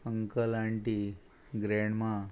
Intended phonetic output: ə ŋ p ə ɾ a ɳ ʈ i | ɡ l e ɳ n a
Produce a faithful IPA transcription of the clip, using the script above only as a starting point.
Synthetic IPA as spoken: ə ŋ k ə l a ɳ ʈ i | ɡ ɾ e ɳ m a